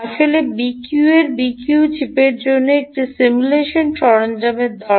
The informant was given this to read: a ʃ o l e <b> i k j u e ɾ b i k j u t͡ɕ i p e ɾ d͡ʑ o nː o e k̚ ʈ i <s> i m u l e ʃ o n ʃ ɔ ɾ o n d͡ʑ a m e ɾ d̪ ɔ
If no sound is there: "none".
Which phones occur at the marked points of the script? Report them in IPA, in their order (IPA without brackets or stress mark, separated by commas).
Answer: b, s